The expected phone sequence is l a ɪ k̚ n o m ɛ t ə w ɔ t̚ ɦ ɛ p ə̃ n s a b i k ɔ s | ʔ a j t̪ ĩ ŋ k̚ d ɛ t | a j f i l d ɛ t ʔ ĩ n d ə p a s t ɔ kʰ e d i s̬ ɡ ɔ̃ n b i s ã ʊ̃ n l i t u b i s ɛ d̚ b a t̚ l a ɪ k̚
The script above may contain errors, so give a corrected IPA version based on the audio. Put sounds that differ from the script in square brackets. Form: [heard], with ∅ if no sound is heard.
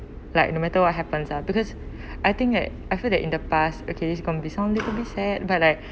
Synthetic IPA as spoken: l a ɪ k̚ n o m ɛ t ə w ɔ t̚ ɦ ɛ p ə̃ n s a b i k ɔ s | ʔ a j t̪ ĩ ŋ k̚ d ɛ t | a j f i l d ɛ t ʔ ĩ n d ə p a s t [o] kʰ e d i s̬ ɡ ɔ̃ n b i s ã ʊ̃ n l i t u b i s ɛ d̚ b a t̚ l a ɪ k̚